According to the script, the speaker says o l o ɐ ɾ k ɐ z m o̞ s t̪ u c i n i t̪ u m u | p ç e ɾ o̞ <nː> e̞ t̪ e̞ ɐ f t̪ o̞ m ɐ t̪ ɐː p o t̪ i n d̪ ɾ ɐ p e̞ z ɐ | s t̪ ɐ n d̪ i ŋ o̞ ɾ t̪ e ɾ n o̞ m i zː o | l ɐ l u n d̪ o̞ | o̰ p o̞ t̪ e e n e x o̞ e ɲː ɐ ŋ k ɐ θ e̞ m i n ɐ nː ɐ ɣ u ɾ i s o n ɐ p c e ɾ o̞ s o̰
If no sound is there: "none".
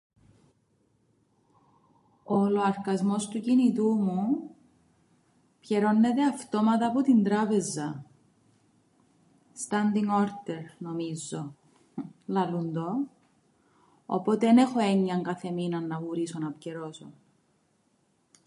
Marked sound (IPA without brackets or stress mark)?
nː